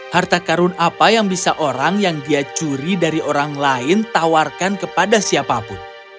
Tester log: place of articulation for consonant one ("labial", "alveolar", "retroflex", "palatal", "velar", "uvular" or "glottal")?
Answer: glottal